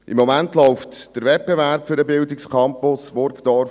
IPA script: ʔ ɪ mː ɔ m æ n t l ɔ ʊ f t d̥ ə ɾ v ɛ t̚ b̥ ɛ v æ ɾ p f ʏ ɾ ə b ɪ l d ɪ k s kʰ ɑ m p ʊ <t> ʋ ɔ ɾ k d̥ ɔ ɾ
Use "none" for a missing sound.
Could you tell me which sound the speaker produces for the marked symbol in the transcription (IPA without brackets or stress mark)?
s